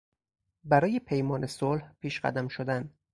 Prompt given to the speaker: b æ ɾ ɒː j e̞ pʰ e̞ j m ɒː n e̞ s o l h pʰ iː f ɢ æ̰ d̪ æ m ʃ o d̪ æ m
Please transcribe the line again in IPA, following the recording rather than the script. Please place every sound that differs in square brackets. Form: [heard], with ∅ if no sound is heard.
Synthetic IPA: b æ ɾ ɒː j e̞ pʰ e̞ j m ɒː n e̞ s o l h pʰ iː [ʃ] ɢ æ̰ d̪ æ m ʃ o d̪ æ [n]